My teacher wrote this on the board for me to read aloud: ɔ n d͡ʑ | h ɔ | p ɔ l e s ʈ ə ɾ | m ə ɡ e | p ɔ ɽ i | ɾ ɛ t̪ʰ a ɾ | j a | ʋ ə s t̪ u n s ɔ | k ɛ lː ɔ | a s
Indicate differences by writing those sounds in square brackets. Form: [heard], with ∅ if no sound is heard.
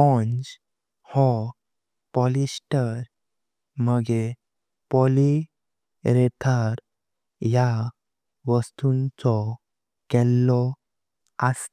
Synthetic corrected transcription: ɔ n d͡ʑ | h ɔ | p ɔ l [i] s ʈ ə ɾ | m ə ɡ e | p ɔ [l] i | ɾ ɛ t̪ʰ a ɾ | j a | ʋ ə s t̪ u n [t͡s] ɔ | k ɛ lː ɔ | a s